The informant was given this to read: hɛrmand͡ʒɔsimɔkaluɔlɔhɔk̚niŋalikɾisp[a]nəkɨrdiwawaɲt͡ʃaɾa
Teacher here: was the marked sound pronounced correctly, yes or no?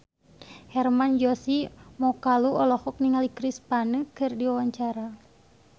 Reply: yes